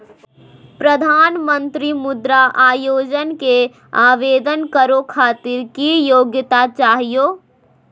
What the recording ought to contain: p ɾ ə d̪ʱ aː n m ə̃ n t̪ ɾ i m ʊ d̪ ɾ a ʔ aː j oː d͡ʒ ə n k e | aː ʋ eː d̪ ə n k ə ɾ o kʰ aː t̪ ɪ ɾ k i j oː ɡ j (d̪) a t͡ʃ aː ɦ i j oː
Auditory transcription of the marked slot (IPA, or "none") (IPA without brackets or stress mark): t̪